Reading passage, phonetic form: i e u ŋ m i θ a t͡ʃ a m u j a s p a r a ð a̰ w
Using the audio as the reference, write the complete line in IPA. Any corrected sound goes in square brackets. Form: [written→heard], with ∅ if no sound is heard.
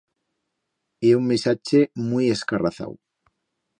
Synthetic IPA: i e u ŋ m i [θ→s] a t͡ʃ [a→e] m u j [a→e] s [p→k] a r a [ð→θ] a̰ w